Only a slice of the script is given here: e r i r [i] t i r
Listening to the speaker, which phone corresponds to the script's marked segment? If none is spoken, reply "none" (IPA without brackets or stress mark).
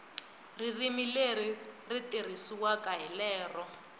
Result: i